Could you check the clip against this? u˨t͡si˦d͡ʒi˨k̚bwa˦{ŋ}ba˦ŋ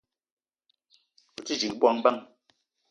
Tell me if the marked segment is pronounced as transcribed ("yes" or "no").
yes